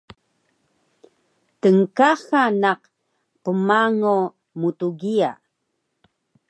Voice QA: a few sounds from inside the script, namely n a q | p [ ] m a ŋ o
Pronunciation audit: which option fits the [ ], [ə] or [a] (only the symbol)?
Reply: ə